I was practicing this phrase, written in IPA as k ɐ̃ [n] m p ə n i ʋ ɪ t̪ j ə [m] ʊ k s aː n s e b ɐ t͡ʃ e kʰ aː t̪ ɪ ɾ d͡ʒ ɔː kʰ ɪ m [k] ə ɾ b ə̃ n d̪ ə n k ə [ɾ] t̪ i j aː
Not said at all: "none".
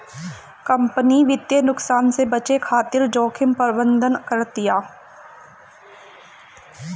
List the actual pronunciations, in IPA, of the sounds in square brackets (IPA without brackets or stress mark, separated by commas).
none, n, p, ɾ